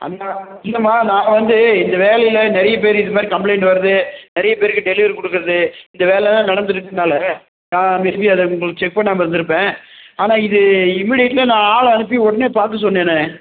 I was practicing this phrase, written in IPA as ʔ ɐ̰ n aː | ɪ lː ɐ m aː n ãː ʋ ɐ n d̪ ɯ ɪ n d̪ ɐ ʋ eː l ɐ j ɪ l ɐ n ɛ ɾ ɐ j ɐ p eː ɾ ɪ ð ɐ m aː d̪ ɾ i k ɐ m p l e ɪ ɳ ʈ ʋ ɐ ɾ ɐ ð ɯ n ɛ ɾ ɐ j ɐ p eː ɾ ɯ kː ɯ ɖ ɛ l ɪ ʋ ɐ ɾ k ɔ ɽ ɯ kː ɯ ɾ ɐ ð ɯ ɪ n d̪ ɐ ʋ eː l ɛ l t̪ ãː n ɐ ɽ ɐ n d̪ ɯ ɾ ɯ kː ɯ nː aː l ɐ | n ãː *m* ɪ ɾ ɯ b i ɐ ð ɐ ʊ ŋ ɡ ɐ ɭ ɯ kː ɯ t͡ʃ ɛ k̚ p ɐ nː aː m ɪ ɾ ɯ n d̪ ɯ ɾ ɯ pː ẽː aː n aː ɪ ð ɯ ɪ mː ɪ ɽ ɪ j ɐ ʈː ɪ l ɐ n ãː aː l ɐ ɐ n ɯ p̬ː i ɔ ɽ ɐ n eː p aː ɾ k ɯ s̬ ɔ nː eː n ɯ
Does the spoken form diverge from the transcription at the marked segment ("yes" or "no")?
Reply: no